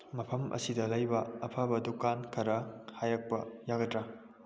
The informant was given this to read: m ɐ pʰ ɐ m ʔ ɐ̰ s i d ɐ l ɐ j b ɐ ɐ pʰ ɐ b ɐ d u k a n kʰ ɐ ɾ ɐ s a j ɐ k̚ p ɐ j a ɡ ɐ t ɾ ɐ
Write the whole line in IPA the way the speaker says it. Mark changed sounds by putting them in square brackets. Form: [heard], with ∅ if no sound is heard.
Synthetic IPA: m ɐ pʰ ɐ m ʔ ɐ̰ s i d ɐ l ɐ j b ɐ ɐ pʰ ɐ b ɐ d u k a n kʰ ɐ ɾ ɐ [h] a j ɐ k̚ p ɐ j a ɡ ɐ t ɾ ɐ